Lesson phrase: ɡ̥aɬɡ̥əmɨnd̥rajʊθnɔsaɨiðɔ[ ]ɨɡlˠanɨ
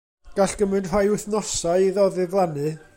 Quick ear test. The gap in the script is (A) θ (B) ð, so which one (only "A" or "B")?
B